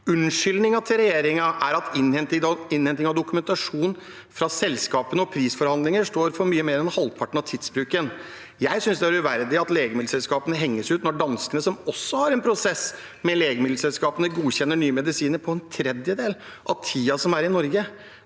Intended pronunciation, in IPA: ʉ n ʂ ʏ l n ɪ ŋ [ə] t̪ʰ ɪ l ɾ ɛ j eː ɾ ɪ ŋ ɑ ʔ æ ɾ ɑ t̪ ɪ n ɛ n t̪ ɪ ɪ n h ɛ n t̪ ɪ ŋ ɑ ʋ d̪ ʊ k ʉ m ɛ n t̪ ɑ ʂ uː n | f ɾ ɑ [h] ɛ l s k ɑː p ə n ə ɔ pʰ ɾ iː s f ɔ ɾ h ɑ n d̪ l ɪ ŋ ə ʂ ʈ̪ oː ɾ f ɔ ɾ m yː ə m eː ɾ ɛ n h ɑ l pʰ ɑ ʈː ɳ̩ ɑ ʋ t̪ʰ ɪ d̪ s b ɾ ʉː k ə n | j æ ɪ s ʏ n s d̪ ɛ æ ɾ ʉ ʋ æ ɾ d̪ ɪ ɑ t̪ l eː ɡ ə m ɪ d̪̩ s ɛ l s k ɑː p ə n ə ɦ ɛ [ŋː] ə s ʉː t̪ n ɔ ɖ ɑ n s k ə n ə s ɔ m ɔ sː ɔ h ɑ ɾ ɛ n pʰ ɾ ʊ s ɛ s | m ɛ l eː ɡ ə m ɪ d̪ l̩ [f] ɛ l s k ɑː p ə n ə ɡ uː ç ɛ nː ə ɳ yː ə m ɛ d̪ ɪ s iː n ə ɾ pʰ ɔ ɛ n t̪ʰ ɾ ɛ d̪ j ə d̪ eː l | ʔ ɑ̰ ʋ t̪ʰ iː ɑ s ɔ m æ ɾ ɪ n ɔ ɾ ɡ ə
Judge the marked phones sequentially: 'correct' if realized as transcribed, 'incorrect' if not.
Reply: incorrect: ɑ, incorrect: s, correct, incorrect: s

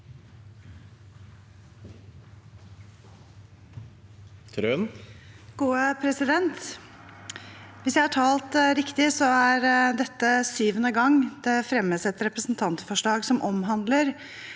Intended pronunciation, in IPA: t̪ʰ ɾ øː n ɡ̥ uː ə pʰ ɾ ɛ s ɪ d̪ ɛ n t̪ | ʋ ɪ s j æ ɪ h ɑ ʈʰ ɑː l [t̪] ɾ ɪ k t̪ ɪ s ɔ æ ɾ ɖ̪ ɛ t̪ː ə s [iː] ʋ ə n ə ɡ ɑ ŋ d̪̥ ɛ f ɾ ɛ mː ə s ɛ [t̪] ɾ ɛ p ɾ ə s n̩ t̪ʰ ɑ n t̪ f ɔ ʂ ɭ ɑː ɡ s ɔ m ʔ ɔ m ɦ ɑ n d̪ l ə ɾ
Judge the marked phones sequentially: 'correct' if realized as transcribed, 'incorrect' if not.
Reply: correct, incorrect: yː, correct

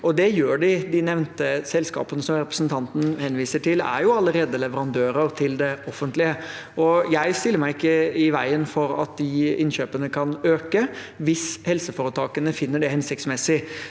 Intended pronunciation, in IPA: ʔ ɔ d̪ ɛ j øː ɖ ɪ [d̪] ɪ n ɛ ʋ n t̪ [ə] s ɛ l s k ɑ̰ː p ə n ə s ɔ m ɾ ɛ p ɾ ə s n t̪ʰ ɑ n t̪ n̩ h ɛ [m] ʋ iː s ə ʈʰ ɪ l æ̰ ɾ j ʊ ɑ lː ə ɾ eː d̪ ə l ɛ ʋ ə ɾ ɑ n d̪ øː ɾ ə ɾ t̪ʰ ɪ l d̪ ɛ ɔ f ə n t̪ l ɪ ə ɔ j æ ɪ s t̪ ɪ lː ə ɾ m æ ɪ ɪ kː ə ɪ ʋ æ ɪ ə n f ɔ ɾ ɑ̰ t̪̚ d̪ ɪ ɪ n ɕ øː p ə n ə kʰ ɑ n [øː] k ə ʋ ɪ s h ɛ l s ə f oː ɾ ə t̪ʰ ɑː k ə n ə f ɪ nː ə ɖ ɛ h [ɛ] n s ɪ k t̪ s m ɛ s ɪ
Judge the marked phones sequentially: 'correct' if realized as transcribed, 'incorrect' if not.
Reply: correct, correct, incorrect: n, correct, correct

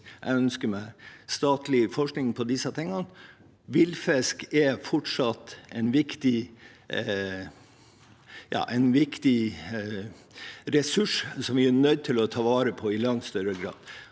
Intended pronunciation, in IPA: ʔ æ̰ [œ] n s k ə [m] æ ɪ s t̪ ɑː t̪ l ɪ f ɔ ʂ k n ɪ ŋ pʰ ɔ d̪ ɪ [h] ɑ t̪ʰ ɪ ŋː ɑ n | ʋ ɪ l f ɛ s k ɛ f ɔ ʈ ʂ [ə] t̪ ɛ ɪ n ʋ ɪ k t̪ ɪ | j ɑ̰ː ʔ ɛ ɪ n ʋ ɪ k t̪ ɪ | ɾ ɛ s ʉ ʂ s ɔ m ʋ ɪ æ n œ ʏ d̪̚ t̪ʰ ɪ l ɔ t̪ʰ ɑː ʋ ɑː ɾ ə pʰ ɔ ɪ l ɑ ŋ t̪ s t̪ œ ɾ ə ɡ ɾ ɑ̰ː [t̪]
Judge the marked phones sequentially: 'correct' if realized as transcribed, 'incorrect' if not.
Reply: correct, correct, incorrect: s, incorrect: ɑ, incorrect: d̪

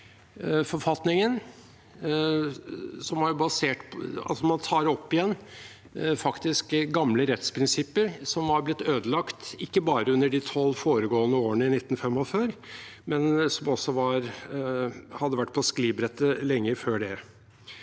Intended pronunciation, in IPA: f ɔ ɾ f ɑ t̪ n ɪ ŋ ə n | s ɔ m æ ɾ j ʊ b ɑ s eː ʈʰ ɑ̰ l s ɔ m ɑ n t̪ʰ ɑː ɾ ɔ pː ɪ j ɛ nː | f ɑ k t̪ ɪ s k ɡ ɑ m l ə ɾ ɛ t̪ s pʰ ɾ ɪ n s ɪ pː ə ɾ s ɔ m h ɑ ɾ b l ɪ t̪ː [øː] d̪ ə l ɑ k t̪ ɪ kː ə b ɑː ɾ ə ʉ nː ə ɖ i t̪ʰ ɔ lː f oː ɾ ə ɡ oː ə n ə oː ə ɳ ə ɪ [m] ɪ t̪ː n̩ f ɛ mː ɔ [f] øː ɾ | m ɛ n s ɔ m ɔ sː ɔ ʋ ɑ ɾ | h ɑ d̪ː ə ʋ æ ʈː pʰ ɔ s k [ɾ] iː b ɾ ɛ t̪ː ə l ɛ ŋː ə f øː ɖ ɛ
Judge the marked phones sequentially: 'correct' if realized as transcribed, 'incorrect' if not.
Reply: correct, incorrect: n, correct, incorrect: l

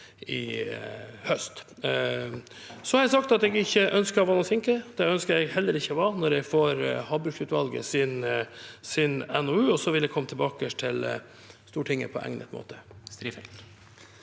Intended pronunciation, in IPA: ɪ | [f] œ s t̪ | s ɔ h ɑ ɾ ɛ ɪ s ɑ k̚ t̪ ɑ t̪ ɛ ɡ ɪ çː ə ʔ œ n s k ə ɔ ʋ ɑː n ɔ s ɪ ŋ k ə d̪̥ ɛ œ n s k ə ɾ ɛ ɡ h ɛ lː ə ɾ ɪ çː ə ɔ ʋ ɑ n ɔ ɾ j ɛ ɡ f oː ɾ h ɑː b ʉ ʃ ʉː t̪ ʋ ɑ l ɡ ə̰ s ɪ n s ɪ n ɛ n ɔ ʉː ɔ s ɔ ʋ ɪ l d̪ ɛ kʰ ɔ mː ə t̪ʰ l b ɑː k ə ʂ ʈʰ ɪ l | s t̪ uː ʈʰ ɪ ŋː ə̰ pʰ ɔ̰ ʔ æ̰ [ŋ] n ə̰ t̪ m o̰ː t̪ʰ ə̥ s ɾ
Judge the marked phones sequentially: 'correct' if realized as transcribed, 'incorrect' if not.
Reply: incorrect: h, correct

